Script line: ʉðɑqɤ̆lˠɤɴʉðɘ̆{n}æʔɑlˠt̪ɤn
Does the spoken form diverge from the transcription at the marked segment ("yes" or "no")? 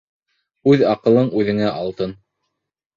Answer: yes